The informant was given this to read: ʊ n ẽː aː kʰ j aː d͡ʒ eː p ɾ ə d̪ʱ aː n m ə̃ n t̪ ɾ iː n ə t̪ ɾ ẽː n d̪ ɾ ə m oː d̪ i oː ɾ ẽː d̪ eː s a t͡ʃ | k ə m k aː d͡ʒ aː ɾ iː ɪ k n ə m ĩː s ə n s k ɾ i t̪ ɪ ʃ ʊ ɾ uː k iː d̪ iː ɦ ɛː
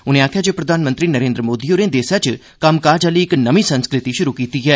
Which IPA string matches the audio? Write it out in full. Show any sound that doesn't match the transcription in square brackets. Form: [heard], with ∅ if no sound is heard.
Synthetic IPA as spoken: ʊ n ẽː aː kʰ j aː d͡ʒ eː p ɾ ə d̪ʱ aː n m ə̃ n t̪ ɾ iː n ə [∅] ɾ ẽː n d̪ ɾ ə m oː d̪ i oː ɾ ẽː d̪ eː s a t͡ʃ | k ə m k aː d͡ʒ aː [l] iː ɪ k n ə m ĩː s ə n s k ɾ [ɪ] t̪ [i] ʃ ʊ ɾ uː k iː [t̪] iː ɦ ɛː